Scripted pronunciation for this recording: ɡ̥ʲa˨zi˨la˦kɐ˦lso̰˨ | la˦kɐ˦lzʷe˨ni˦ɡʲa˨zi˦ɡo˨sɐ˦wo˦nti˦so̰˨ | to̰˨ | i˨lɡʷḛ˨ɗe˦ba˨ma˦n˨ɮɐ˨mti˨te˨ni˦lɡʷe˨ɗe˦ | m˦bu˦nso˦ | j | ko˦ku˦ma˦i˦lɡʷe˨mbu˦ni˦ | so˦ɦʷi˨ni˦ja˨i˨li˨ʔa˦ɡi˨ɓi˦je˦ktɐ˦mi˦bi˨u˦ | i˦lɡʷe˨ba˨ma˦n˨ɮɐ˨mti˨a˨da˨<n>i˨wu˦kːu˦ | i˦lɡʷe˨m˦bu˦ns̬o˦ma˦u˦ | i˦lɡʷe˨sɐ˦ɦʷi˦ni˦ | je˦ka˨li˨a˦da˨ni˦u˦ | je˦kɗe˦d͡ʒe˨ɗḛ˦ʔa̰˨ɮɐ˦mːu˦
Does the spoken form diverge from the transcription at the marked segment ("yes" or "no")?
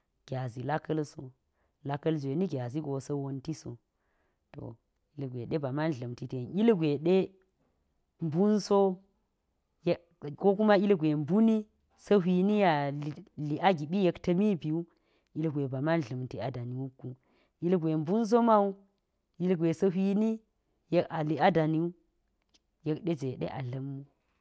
no